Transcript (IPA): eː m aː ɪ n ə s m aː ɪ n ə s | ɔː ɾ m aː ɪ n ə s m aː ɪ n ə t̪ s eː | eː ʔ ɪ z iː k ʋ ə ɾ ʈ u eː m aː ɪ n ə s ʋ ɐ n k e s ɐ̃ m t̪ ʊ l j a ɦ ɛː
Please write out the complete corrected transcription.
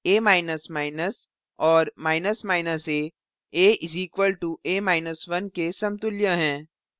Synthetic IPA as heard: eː m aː ɪ n ə s m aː ɪ n ə s | ɔː ɾ m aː ɪ n ə s m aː ɪ n ə s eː | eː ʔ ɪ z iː k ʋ ə l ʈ u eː m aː ɪ n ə s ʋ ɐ n k e s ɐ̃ m t̪ ʊ l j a ɦ ɛ̃ː